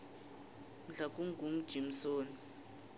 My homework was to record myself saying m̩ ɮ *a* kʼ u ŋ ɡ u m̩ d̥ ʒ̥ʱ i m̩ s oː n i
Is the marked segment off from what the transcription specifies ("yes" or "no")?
no